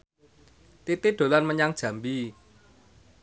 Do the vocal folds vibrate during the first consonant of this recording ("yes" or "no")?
no